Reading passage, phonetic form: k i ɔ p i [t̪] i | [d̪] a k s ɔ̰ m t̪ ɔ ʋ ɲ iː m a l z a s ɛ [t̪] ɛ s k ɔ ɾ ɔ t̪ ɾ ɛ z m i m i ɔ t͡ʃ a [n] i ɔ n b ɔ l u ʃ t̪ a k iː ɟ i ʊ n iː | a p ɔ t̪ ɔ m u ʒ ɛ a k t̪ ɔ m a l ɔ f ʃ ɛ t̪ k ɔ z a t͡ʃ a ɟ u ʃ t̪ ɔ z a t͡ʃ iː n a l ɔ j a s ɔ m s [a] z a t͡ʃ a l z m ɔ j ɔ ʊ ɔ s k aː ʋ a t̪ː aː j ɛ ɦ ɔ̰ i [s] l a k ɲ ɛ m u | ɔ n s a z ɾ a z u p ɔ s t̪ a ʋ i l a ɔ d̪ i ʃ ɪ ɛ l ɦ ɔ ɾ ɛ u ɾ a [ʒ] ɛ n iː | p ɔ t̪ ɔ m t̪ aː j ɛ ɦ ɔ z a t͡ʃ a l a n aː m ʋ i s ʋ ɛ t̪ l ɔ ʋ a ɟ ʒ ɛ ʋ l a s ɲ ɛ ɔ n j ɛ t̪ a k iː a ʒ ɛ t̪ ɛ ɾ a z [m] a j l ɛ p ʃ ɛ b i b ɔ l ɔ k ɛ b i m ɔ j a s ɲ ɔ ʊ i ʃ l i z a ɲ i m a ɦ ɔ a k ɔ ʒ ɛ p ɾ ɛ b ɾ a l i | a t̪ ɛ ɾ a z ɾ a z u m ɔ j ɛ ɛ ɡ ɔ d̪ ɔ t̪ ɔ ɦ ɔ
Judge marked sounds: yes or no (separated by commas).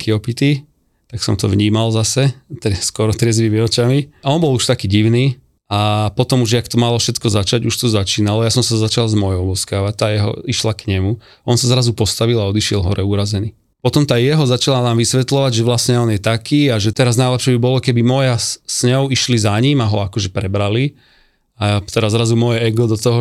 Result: yes, no, yes, no, yes, no, no, no